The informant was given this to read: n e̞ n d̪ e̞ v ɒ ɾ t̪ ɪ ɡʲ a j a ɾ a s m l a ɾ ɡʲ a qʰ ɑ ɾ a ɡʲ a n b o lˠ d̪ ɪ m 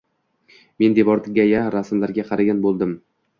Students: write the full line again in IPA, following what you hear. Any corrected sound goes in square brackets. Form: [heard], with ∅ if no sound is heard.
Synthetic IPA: [m] e̞ n d̪ e̞ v ɒ ɾ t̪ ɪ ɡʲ a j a ɾ a s m l a ɾ ɡʲ a qʰ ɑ ɾ a ɡʲ a n b o lˠ d̪ ɪ m

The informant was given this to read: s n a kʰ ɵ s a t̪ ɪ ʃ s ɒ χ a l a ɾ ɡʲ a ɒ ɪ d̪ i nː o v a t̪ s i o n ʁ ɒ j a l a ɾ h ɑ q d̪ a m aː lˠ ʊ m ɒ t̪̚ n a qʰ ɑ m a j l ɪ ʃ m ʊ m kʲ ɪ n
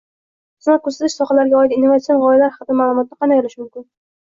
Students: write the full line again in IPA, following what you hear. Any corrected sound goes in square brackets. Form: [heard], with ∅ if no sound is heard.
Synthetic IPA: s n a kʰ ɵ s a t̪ ɪ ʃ s ɒ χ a l a ɾ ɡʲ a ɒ ɪ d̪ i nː o v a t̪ s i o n ʁ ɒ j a l a ɾ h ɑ q d̪ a m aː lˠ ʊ m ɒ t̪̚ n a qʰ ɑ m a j l ɪ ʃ m ʊ m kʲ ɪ n

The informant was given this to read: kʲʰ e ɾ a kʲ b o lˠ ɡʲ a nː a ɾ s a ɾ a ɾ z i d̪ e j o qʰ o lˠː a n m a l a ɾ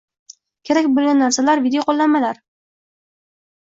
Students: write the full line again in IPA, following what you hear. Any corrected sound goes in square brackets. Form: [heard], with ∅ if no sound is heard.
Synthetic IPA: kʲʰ e ɾ a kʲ b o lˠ ɡʲ a nː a ɾ s a [l] a ɾ [v] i d̪ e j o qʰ o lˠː a n m a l a ɾ

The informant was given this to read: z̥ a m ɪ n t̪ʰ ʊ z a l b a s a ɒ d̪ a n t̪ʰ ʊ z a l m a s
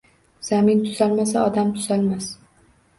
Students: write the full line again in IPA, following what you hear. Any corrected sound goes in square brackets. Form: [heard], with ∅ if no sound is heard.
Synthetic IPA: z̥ a m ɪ n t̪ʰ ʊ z a l [m] a s a ɒ d̪ a [m] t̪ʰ ʊ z a l m a s

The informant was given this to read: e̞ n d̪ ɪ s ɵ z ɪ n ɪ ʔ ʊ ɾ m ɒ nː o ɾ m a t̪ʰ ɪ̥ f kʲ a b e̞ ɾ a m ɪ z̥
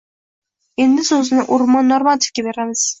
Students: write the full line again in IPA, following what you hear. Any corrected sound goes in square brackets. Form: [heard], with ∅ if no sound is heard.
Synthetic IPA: e̞ n d̪ ɪ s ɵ z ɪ n ɪ ʔ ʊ ɾ m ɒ nː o ɾ m a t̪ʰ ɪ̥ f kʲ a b e̞ ɾ a m ɪ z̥

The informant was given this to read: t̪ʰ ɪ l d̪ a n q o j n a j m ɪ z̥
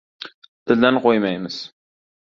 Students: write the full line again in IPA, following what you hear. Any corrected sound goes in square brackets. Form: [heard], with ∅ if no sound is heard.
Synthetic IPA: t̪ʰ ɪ l d̪ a n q o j [m] a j m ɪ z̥

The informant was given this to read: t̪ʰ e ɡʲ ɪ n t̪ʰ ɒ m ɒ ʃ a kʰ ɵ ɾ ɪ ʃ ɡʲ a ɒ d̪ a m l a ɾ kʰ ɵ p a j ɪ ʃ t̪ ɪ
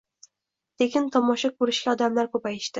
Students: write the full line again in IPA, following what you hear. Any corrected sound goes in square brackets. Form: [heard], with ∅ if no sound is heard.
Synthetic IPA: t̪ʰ e [kʲ] ɪ n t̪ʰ ɒ m ɒ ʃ a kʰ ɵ ɾ ɪ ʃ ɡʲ a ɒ d̪ a m l a ɾ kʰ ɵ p a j ɪ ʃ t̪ ɪ

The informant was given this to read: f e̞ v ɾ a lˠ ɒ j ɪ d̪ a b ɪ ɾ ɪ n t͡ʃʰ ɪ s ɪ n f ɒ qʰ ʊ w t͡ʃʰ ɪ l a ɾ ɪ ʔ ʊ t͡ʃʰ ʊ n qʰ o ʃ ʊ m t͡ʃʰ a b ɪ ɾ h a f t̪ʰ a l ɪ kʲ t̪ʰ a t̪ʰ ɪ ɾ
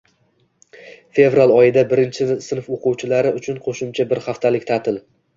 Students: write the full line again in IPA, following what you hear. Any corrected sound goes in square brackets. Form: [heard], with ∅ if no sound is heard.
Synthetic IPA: f e̞ v ɾ a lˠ ɒ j ɪ d̪ a b ɪ ɾ ɪ n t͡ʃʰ ɪ s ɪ n f [o] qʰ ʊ w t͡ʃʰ ɪ l a ɾ ɪ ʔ ʊ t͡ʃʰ ʊ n qʰ o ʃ ʊ m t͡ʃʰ a b ɪ ɾ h a f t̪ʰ a l ɪ kʲ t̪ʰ a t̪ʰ ɪ [l]

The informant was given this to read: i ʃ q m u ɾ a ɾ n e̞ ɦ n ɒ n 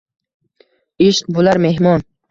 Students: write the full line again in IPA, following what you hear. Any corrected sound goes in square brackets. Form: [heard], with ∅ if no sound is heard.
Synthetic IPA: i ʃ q [b] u [l] a ɾ [m] e̞ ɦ [m] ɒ n

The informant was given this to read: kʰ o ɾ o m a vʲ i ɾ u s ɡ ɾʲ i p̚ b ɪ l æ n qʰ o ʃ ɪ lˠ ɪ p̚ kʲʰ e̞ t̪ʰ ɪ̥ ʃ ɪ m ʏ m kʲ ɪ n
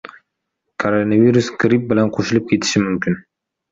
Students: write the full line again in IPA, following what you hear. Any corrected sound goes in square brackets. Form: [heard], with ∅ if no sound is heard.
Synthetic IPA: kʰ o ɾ o [n] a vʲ i ɾ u s ɡ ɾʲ i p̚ b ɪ l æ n qʰ o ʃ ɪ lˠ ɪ p̚ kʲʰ e̞ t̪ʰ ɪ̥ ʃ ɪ m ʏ m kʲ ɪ n

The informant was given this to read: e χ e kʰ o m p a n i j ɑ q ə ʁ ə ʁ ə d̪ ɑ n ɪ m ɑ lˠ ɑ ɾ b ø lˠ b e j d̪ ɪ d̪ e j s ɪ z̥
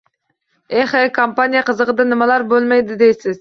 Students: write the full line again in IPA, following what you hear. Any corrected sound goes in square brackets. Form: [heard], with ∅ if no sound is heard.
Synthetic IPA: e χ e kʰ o m p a n i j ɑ q ə [z] ə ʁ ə d̪ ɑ n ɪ m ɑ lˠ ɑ ɾ b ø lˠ [m] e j d̪ ɪ d̪ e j s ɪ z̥

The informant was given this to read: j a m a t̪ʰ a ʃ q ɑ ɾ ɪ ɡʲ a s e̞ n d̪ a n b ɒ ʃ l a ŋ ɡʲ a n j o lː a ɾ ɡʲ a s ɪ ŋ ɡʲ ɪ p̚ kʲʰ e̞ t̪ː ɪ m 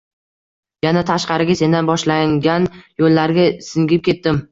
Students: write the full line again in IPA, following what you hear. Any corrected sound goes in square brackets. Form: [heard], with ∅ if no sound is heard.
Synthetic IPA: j a [n] a t̪ʰ a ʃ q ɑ ɾ ɪ ɡʲ a s e̞ n d̪ a n b ɒ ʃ l a ŋ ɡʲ a n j o lː a ɾ ɡʲ a s ɪ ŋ ɡʲ ɪ p̚ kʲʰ e̞ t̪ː ɪ m

